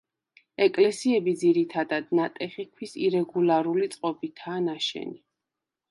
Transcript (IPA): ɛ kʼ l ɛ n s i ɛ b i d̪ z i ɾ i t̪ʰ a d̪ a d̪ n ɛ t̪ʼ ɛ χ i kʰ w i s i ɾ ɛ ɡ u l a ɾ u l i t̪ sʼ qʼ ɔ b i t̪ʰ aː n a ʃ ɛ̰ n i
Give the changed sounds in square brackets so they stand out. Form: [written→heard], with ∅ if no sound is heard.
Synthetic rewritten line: ɛ kʼ l ɛ [n→∅] s i ɛ b i d̪ z i ɾ i t̪ʰ a d̪ a d̪ n [ɛ→a] t̪ʼ ɛ χ i kʰ w i s i ɾ ɛ ɡ u l a ɾ u l i t̪ sʼ qʼ ɔ b i t̪ʰ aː n a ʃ ɛ̰ n i